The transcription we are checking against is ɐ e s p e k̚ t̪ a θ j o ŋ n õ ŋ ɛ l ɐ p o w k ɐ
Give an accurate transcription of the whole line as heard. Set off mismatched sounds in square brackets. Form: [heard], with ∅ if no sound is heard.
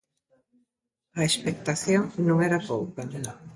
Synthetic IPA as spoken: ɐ e s p e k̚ t̪ a θ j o ŋ n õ ŋ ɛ [ɾ] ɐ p o w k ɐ